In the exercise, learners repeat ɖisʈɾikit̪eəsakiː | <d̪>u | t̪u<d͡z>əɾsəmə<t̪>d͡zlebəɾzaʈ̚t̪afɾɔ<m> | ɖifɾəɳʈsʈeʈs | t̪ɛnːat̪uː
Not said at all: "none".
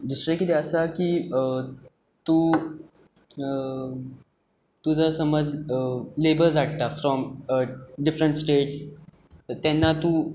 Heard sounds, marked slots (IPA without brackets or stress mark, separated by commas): t̪, d͡z, none, m